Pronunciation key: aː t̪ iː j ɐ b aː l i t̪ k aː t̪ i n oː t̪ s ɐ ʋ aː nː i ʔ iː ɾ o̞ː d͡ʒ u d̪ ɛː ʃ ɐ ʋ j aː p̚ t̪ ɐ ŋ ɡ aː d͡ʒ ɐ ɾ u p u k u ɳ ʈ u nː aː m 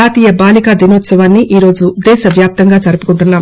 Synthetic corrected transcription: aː t̪ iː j ɐ b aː l i k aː d̪ i n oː t̪ s ɐ ʋ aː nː i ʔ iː ɾ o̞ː d͡ʒ u d̪ ɛː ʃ ɐ ʋ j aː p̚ t̪ ɐ ŋ ɡ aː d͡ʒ ɐ ɾ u p u k u ɳ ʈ u nː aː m